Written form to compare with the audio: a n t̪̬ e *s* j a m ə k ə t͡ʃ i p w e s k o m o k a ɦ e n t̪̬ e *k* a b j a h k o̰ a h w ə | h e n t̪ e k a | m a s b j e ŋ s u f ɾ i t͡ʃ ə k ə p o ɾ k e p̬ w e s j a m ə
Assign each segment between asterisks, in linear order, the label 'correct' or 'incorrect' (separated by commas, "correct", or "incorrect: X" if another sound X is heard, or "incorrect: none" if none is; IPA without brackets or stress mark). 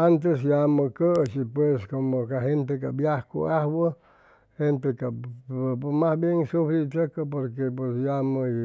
correct, correct